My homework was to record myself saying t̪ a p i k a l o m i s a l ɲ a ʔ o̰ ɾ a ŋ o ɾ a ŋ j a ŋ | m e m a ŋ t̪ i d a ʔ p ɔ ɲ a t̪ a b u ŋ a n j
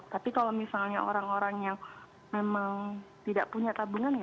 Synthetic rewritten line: t̪ a p i k a l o m i s a l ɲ a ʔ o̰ ɾ a ŋ o ɾ a ŋ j a ŋ | m e m a ŋ t̪ i d a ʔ p u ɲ a t̪ a b u ŋ a n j